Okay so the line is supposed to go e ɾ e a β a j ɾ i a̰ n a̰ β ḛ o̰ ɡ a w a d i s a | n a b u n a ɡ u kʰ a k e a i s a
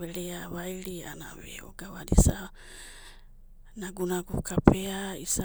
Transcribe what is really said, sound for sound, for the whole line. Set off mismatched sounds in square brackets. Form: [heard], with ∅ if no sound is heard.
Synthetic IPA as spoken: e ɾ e a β a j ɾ i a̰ n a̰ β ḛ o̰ ɡ a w a d i s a | n a [ɡ] u n a ɡ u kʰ a [p] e a i s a